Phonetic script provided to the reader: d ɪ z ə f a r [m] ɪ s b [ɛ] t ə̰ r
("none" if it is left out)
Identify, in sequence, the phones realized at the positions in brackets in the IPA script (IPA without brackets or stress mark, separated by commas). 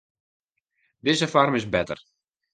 m, ɛ